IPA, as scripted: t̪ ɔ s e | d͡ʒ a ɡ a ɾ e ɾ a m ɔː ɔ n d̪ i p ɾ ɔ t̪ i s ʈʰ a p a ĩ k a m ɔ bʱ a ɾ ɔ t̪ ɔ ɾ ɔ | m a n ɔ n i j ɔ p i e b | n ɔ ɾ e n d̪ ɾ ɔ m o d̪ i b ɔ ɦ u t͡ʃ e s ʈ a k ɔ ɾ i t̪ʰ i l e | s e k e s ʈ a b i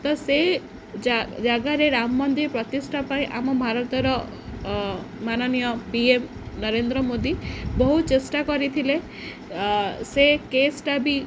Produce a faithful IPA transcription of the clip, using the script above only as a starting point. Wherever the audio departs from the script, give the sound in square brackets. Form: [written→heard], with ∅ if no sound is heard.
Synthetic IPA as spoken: t̪ ɔ s e | d͡ʒ a ɡ a ɾ e ɾ a m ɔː ɔ n d̪ i p ɾ ɔ t̪ i s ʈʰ a p a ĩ [k→ʔ] a m ɔ bʱ a ɾ ɔ t̪ ɔ ɾ ɔ | m a n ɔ n i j ɔ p i e [b→m] | n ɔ ɾ e n d̪ ɾ ɔ m o d̪ i b ɔ ɦ u t͡ʃ e s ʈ a k ɔ ɾ i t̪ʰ i l e | s e k e s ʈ a b i